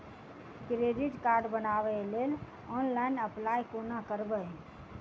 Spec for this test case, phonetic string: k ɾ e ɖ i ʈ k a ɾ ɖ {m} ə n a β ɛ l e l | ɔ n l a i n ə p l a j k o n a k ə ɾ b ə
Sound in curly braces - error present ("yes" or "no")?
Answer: yes